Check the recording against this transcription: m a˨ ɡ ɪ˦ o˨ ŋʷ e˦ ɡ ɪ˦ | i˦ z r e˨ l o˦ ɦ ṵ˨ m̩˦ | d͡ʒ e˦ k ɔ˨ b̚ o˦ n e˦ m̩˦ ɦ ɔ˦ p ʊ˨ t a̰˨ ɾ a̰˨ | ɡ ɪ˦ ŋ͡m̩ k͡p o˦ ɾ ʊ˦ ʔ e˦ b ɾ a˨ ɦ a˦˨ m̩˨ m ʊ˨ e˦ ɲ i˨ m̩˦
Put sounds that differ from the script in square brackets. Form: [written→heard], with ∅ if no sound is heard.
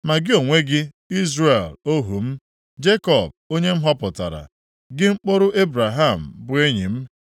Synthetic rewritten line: m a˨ ɡ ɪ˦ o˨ ŋʷ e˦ ɡ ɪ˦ | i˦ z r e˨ l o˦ ɦ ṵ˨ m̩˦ | d͡ʒ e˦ k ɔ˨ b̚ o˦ [n→ɲ] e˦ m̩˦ ɦ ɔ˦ p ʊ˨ t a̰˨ ɾ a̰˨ | ɡ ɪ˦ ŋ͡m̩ k͡p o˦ ɾ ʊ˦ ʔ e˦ b ɾ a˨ ɦ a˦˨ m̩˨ [m→b] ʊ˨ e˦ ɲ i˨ m̩˦